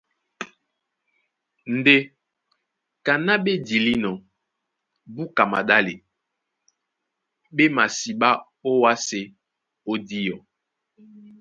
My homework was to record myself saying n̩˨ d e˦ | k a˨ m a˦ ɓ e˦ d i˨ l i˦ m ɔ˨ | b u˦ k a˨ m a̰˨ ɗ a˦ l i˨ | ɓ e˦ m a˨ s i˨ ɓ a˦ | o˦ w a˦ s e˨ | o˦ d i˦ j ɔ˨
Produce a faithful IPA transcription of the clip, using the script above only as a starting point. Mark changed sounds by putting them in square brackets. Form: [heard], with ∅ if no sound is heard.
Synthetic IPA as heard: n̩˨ d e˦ | k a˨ [n] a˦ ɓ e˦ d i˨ l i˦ [n] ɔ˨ | b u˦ k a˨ m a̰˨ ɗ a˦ l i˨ | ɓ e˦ m a˨ s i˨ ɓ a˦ | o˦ w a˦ s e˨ | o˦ d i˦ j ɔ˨